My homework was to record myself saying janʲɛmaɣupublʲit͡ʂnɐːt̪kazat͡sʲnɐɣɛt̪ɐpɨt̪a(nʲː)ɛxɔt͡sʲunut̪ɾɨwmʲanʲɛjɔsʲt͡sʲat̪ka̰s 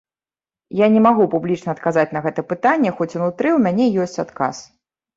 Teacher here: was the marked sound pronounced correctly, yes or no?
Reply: yes